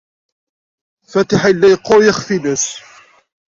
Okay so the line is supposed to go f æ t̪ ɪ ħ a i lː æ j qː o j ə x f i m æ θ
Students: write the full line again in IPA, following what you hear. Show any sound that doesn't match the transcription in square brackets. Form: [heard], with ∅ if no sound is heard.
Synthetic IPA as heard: f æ t̪ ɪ ħ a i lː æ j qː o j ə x f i [n] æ [s]